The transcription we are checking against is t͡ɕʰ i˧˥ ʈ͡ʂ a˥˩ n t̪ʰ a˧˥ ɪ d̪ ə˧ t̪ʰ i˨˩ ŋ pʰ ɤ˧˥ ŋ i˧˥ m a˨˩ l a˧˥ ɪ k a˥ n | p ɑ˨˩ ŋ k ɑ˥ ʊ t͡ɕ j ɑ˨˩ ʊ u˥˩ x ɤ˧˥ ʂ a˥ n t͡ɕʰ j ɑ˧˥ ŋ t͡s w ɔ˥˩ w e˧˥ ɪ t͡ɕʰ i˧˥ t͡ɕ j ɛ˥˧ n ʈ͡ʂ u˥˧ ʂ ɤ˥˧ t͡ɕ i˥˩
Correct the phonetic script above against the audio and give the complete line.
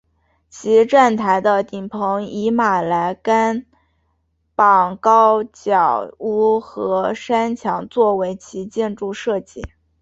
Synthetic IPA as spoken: t͡ɕʰ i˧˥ ʈ͡ʂ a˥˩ n t̪ʰ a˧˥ ɪ d̪ ə˧ t̪ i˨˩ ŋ pʰ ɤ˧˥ ŋ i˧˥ m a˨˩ l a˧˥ ɪ k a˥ n | p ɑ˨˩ ŋ k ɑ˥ ʊ t͡ɕ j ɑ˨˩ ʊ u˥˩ x ɤ˧˥ ʂ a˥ n t͡ɕʰ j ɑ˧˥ ŋ t͡s w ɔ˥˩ w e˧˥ ɪ t͡ɕʰ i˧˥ t͡ɕ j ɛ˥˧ n ʈ͡ʂ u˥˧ ʂ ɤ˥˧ t͡ɕ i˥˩